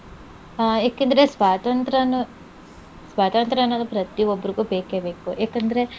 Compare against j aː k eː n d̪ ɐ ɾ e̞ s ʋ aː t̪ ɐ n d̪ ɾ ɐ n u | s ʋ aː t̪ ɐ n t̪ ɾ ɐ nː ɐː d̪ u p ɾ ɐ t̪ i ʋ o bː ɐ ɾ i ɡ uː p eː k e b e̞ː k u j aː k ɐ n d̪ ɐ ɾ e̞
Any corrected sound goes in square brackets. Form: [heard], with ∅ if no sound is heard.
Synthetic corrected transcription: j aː k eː n d̪ ɐ ɾ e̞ s ʋ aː t̪ ɐ n [t̪] ɾ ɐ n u | s ʋ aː t̪ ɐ n t̪ ɾ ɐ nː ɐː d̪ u p ɾ ɐ t̪ i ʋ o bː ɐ ɾ i ɡ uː [b] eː k e b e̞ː k u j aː k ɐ n d̪ ɐ ɾ e̞